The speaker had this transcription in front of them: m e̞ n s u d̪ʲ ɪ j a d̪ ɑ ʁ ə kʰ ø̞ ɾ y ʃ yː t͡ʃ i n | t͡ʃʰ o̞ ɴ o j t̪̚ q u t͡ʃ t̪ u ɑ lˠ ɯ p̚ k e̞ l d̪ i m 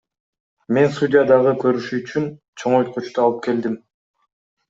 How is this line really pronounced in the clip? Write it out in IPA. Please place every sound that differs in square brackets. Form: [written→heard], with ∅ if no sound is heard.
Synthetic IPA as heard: m e̞ n s u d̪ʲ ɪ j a d̪ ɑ ʁ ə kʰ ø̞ ɾ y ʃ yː t͡ʃ [i→y] n | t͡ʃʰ o̞ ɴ o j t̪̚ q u t͡ʃ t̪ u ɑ lˠ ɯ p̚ k e̞ l d̪ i m